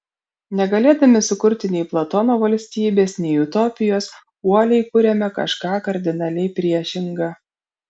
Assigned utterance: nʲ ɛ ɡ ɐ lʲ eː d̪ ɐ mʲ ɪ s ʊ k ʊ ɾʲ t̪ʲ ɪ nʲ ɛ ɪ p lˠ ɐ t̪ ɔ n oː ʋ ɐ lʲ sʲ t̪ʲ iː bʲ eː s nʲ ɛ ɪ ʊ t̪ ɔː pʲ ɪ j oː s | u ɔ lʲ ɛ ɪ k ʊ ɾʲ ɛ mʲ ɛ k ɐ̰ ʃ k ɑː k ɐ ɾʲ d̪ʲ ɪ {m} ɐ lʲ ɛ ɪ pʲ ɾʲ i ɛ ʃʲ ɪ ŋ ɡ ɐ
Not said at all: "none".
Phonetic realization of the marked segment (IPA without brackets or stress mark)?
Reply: n